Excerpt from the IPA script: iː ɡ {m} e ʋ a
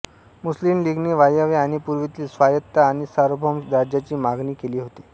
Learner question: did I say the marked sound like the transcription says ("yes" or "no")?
no